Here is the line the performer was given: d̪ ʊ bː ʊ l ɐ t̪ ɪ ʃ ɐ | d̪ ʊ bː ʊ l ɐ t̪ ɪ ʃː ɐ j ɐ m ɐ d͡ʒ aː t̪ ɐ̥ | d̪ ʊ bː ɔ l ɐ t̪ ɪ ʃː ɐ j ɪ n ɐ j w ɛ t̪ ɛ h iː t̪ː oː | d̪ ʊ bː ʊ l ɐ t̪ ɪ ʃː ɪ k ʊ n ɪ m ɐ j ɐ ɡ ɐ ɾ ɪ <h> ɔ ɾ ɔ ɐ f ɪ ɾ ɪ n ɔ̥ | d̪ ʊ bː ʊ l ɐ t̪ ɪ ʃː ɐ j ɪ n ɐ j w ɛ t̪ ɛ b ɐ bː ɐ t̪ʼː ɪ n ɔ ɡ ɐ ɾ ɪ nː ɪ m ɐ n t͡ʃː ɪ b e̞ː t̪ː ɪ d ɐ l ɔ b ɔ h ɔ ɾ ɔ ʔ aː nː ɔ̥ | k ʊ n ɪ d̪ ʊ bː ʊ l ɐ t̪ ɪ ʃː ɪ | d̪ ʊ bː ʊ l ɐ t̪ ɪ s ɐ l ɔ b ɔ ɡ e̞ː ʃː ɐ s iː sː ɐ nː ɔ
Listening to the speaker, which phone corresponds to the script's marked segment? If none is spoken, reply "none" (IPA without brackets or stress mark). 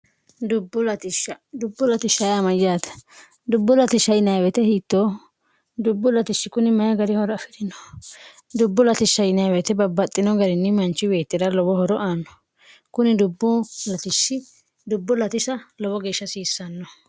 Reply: h